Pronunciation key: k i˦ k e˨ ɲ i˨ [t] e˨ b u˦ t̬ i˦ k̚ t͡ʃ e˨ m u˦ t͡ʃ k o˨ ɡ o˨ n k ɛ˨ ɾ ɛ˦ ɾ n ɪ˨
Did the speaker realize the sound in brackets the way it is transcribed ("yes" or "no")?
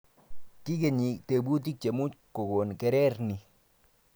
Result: yes